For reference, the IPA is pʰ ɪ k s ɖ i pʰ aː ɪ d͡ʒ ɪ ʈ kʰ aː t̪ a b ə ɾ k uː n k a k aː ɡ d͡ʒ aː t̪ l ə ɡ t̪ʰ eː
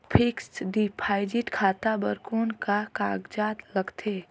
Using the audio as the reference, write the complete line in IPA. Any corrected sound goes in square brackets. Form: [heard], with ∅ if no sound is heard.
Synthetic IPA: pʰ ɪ k s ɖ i pʰ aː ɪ d͡ʒ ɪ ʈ kʰ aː t̪ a b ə ɾ k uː n k a k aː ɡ d͡ʒ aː t̪ l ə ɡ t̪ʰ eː